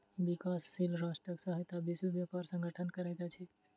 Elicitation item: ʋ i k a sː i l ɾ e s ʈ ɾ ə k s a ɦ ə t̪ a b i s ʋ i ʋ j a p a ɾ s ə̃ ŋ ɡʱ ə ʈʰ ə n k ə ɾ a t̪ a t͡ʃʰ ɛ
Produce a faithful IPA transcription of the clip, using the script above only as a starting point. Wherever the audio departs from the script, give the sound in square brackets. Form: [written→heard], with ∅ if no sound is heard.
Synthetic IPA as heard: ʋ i k a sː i l ɾ [e→a] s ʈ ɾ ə k s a ɦ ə t̪ a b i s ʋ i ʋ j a p a ɾ s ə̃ ŋ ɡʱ ə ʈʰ ə n k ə ɾ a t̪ a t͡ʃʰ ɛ

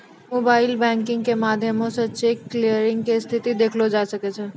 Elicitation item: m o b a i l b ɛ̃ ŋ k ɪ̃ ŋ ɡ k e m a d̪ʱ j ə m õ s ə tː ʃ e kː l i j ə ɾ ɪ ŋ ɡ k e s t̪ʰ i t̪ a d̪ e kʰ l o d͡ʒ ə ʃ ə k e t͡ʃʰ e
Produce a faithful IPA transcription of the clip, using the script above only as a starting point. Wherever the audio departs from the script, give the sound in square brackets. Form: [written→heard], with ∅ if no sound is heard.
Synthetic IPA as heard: m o b a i l b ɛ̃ ŋ k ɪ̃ ŋ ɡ k e m a d̪ʱ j ə m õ s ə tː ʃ e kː l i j ə ɾ ɪ ŋ ɡ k e s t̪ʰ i t̪ [a→i] d̪ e kʰ l o d͡ʒ [ə→a] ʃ ə k e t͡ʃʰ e

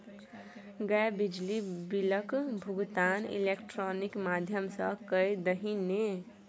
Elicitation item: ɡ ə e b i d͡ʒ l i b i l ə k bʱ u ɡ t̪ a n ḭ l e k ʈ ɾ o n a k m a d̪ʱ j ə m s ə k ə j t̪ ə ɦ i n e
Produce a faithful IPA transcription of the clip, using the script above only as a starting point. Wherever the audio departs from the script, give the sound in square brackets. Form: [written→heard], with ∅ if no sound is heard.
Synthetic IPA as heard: ɡ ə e b i d͡ʒ l i b i l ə k bʱ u ɡ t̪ a n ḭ l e k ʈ ɾ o n [a→i] k m a d̪ʱ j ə m s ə k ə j [t̪→d̪] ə ɦ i n e

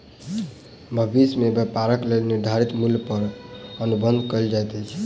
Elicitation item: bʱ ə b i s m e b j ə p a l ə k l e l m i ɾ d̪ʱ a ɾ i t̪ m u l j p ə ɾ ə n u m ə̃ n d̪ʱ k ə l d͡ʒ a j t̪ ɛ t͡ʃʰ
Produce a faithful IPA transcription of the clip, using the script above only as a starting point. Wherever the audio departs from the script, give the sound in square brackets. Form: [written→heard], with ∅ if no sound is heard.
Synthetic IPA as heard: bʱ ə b i s m e b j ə p a [l→ɾ] ə k l e l [m→n] i ɾ d̪ʱ a ɾ i t̪ m u l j p ə ɾ ə n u [m→b] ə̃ n d̪ʱ k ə l d͡ʒ a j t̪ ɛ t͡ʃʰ

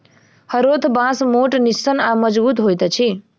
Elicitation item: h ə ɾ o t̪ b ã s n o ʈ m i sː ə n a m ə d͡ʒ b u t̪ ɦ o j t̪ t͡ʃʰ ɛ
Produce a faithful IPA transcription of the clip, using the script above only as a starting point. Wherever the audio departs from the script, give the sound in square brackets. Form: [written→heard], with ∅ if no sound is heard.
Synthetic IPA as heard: h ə ɾ o [t̪→t̪ʰ] b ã s [n→m] o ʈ [m→n] i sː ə n a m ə d͡ʒ b u t̪ ɦ o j t̪ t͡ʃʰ [ɛ→i]

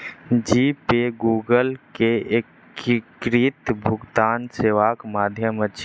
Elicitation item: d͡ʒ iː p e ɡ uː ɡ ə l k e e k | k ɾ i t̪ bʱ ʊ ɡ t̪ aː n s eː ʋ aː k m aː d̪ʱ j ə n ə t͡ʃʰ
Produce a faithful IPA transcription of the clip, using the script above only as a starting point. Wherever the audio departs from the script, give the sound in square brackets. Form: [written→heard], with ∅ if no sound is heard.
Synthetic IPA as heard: d͡ʒ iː p e ɡ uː ɡ ə l k e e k | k ɾ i t̪ bʱ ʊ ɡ t̪ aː n s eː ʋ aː k m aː d̪ʱ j ə [n→m] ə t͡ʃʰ

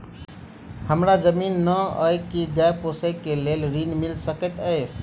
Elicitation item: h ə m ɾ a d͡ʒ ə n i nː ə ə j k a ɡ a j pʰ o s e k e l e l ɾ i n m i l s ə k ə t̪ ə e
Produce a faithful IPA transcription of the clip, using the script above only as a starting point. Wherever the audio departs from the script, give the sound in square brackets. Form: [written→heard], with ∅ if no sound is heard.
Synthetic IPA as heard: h ə m ɾ a d͡ʒ ə [n→m] i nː ə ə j k [a→i] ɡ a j [pʰ→p] o s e k e l e l ɾ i n m i l s ə k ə t̪ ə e

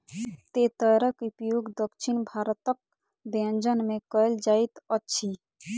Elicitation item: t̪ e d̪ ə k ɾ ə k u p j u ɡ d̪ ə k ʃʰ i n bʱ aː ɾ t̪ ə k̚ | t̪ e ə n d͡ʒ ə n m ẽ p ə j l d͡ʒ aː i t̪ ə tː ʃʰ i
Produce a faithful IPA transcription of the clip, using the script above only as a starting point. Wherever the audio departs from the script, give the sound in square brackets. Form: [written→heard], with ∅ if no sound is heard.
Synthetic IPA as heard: t̪ e [d̪→t̪] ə [k→∅] ɾ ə k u p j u ɡ d̪ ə k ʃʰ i n bʱ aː ɾ t̪ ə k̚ | [t̪→d̪] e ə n d͡ʒ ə n m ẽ [p→k] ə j l d͡ʒ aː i t̪ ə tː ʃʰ i

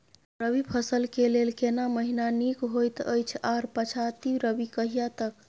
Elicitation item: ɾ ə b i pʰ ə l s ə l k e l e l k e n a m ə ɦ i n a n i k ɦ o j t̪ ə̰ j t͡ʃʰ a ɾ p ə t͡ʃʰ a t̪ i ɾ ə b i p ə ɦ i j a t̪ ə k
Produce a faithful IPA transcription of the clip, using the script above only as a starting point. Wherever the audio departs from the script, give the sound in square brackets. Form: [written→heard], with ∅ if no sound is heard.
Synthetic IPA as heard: ɾ ə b i pʰ ə [l→∅] s ə l k e l e l k e n a m ə ɦ i n a n i k ɦ o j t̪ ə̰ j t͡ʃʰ a ɾ p ə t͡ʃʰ a t̪ i ɾ ə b i [p→k] ə ɦ i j a t̪ ə k

